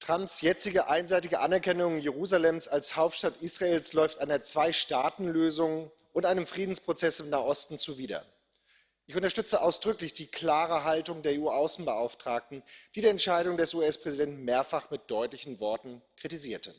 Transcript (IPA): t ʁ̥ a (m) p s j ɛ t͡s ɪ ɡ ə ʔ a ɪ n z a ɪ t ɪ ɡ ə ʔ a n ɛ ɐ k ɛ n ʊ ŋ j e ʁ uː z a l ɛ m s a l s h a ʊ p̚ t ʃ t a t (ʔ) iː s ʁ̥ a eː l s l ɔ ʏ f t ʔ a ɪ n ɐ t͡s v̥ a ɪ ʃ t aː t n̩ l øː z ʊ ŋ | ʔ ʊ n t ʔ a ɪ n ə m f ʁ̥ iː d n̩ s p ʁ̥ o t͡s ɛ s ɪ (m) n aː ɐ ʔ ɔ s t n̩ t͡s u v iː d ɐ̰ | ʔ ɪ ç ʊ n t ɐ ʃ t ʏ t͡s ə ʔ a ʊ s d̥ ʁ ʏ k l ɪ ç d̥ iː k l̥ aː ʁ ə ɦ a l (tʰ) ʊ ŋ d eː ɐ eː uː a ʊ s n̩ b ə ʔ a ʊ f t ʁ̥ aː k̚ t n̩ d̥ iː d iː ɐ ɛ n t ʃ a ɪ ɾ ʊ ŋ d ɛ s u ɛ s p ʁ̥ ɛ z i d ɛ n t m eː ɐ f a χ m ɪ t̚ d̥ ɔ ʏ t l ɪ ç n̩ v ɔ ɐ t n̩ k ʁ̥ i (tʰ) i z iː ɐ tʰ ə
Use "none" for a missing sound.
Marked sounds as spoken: m, ʔ, m, t, t

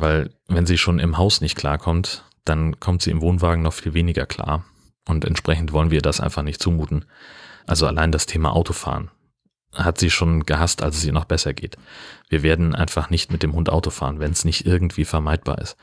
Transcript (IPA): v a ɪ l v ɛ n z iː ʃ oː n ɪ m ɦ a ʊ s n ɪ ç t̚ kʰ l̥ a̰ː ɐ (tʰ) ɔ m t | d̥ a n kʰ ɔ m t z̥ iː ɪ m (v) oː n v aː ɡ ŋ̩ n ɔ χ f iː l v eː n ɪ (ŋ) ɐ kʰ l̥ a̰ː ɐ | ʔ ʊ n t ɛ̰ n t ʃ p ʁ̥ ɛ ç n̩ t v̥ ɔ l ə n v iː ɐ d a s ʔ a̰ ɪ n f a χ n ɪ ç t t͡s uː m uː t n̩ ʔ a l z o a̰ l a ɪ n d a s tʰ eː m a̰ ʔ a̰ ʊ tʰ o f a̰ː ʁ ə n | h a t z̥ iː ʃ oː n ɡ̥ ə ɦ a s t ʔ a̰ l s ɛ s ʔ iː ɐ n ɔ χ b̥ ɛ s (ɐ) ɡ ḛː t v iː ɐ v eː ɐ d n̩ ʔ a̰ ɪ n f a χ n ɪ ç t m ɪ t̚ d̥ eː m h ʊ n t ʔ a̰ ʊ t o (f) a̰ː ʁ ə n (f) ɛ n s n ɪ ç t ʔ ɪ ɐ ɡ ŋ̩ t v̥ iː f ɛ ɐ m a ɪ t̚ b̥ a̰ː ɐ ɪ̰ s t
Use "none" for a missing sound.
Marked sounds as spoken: kʰ, v, ɡ, ɐ, f, v

